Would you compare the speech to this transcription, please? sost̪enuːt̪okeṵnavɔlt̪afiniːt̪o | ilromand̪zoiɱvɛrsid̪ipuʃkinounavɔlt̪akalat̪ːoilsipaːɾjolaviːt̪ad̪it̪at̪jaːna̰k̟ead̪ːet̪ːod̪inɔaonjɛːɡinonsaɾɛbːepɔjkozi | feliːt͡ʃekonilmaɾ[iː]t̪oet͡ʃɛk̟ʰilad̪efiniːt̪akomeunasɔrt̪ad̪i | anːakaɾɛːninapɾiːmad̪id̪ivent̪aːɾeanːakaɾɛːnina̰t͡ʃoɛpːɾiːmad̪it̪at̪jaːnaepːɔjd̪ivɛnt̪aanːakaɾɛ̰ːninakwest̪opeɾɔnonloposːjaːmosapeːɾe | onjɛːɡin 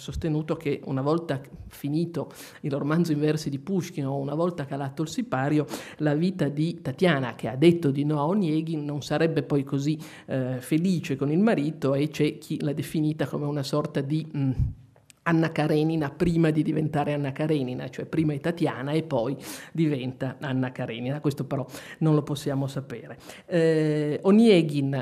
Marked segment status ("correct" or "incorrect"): correct